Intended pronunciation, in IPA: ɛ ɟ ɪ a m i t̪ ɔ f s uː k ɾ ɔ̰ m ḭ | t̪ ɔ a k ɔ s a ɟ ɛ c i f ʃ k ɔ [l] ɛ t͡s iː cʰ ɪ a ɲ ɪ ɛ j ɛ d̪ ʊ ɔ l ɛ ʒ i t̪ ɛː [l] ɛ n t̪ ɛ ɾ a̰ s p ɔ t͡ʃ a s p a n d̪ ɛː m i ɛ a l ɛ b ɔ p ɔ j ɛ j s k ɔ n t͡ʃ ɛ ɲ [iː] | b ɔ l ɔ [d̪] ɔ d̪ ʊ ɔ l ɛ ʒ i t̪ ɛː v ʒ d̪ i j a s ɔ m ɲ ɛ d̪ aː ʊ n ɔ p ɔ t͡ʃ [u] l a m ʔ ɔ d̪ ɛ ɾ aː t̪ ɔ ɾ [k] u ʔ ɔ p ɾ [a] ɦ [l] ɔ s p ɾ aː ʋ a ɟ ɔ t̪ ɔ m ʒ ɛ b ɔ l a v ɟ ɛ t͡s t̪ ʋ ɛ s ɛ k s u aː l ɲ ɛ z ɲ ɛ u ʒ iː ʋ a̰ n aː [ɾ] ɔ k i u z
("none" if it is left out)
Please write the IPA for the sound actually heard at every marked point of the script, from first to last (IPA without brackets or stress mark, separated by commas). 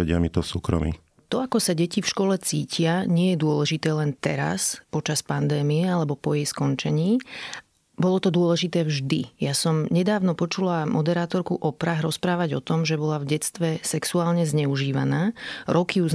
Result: l, l, iː, t̪, u, k, a, ɾ, ɾ